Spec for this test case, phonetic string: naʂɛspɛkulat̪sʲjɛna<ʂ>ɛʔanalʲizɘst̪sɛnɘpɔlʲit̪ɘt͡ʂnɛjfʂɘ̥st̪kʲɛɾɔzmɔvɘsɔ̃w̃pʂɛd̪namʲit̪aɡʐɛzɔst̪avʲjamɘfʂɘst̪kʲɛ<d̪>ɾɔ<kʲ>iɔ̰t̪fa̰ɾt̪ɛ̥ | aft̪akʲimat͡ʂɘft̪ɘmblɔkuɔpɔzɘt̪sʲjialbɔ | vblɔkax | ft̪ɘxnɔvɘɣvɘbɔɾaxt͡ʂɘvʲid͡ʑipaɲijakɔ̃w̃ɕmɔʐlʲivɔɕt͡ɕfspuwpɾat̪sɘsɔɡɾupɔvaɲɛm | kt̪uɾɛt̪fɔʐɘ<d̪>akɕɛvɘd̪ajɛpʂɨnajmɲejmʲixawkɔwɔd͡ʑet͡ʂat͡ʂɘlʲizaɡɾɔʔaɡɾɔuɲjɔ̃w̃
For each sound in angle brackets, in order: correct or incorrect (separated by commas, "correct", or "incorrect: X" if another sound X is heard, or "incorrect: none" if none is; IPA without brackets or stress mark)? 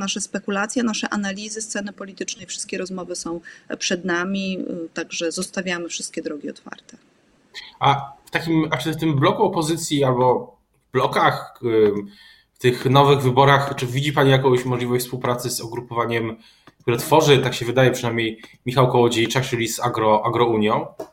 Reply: correct, correct, incorrect: ɡʲ, incorrect: t̪